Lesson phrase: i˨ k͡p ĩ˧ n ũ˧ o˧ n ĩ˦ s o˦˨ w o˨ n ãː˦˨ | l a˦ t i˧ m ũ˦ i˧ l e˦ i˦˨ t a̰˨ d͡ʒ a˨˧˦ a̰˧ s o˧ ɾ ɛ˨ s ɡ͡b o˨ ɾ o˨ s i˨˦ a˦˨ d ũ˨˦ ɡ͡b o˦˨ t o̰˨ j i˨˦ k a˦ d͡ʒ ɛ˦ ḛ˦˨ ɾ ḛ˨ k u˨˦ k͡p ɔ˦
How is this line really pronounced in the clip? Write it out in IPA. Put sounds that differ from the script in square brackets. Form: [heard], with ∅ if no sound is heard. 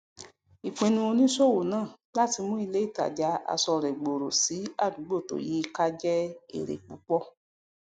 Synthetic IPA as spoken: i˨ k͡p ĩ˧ n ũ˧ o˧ n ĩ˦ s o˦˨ w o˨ n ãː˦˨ | l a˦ t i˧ m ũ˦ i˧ l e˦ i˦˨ t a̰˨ d͡ʒ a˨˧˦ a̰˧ s [ɔ˧] ɾ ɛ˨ [∅] ɡ͡b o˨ ɾ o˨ s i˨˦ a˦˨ d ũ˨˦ ɡ͡b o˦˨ t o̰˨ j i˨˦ k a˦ d͡ʒ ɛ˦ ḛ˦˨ ɾ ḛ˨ [k͡p] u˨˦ k͡p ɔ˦